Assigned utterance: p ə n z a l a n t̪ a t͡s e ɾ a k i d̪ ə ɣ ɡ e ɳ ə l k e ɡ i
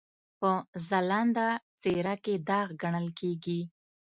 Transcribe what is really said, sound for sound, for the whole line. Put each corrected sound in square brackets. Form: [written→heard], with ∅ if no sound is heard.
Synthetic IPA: p ə [n→∅] z a l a n [t̪→d̪] a t͡s e ɾ a k [i→e] d̪ [ə→ɑ] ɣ ɡ [e→a] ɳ ə l k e ɡ i

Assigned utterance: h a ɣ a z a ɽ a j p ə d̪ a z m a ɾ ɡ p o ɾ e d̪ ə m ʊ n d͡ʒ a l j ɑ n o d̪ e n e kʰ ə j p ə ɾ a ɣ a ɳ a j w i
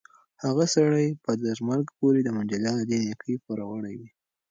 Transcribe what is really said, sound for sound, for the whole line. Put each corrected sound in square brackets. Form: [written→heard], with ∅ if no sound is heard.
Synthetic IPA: h a ɣ a [z→s] a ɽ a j p ə d̪ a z m a ɾ ɡ p o ɾ e d̪ ə m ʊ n d͡ʒ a l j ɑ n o d̪ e n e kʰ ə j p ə ɾ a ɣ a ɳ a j w i

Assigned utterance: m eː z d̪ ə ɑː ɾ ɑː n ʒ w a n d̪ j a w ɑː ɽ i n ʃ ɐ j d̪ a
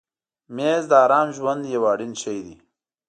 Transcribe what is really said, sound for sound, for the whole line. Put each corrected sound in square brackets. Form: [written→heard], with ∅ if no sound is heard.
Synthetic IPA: m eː z d̪ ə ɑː ɾ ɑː [n→m] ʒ w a n d̪ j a w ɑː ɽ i n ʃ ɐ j d̪ [a→i]

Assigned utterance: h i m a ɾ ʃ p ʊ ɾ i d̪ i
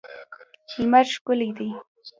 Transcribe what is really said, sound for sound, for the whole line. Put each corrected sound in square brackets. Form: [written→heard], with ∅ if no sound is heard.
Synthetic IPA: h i m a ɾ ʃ [p→k] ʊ [ɾ→l] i d̪ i

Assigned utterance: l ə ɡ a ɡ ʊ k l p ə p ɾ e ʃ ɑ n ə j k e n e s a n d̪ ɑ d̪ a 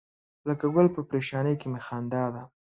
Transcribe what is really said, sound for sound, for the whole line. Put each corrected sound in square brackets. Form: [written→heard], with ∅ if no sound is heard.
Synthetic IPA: l ə [ɡ→k] a ɡ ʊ [k→∅] l p ə p ɾ e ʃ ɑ n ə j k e [n→m] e [s→x] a n d̪ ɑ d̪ a

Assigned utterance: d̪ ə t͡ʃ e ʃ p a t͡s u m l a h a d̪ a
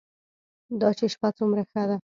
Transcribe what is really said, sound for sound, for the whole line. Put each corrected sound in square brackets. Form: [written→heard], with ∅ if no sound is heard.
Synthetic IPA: d̪ [ə→ɑ] t͡ʃ e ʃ p a t͡s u m [l→ɾ] a [h→x] a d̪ a

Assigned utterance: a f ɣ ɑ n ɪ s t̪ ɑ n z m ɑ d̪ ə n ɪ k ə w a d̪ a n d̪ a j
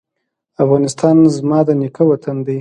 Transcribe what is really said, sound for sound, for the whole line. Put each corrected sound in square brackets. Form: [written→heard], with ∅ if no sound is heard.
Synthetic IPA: a f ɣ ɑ n ɪ s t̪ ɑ n z m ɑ d̪ ə n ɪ k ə w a [d̪→t̪] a n d̪ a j

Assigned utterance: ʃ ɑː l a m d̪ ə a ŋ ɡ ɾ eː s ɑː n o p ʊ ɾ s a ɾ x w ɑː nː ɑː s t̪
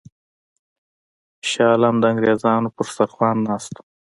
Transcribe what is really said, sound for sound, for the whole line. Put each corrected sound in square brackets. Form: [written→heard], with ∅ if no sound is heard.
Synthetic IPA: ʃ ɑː l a m d̪ ə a ŋ ɡ ɾ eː [s→z] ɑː n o p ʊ ɾ s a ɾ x w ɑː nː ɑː s t̪

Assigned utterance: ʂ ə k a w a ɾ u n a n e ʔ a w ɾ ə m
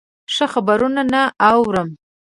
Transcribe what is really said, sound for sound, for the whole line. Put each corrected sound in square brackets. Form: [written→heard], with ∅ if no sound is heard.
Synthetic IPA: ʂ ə [k→x] a [w→b] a ɾ u n a n [e→a] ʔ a w ɾ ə m

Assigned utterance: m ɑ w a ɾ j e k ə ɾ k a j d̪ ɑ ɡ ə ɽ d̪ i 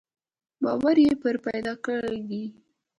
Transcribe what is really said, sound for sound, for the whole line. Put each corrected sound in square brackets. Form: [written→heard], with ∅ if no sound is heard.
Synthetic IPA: [m→b] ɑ w a ɾ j e [k→p] ə ɾ [k→p] a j d̪ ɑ [ɡ→k] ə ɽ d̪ i

